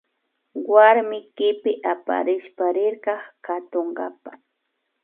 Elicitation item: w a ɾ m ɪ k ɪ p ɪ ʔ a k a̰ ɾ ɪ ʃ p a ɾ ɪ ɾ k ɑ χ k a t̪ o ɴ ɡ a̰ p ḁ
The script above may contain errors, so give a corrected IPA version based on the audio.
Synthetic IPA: w a ɾ m ɪ k ɪ p ɪ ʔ a p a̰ ɾ ɪ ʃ p a ɾ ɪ ɾ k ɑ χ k a t̪ o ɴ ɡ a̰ p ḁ